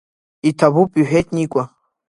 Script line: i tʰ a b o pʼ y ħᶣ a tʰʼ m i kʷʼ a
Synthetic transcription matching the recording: i tʰ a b u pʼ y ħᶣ e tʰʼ n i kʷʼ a